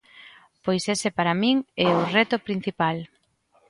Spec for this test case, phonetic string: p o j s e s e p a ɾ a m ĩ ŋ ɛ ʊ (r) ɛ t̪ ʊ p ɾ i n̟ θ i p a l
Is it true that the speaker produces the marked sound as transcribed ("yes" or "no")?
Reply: yes